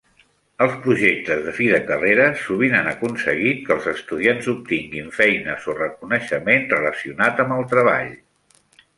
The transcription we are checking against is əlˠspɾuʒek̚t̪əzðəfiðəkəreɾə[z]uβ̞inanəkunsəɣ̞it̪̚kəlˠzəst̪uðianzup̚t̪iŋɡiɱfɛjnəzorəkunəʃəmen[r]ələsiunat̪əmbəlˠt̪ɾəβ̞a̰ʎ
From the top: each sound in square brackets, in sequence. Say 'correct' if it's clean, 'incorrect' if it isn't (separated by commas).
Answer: incorrect, correct